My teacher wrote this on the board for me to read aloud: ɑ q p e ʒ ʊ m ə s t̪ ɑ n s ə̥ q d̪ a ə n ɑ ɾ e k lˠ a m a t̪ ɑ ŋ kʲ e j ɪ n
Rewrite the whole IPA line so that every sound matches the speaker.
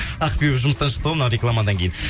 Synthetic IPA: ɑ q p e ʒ ʊ m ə s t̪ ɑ n ʃ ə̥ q t̪ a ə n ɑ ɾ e k lˠ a m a d̪ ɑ ŋ kʲ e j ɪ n